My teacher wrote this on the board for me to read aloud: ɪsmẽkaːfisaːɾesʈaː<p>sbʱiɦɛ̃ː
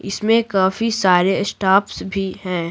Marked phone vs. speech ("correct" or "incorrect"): correct